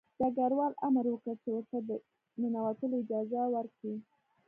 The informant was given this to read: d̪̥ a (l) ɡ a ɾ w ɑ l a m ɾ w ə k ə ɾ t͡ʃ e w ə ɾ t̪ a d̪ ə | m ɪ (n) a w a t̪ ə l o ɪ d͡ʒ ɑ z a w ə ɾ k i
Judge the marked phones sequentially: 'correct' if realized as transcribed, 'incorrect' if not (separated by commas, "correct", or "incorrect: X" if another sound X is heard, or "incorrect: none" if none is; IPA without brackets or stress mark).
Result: incorrect: none, correct